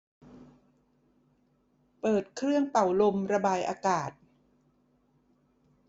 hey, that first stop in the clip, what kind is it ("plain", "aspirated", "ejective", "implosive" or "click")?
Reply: plain